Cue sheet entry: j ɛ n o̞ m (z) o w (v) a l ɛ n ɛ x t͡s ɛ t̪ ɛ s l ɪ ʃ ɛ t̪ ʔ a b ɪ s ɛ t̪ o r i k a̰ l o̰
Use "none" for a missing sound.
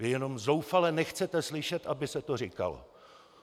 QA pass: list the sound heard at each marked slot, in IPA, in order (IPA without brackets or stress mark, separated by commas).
z, f